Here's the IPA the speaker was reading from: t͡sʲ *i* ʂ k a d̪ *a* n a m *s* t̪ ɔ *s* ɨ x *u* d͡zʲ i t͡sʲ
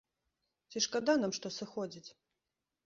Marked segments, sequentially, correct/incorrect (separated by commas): correct, correct, incorrect, correct, incorrect